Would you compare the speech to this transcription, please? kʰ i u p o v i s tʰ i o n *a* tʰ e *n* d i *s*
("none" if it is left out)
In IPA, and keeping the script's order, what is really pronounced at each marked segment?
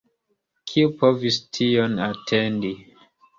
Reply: a, n, none

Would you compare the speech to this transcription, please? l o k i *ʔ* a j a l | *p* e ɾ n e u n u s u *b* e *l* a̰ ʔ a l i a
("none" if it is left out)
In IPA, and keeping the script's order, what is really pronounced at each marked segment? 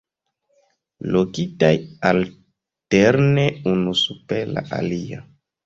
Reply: t, t, p, l

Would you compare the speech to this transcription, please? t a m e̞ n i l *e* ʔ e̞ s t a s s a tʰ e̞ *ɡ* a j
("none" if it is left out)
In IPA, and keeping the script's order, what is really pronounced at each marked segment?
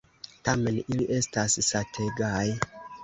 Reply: i, ɡ

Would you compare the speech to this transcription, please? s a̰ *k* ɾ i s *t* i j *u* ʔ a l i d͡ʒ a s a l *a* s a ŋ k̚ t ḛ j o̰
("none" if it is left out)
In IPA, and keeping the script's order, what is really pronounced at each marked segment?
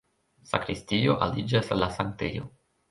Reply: k, t, o, a

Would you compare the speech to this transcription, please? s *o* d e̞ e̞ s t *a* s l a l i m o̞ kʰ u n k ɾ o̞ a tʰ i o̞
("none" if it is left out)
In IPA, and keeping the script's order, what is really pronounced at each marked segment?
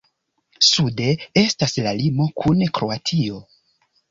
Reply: u, a

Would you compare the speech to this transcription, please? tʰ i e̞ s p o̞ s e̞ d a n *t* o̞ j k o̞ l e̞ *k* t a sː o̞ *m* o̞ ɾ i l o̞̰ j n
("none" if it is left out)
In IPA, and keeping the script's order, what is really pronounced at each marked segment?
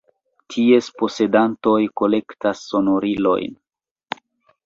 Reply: t, k, n

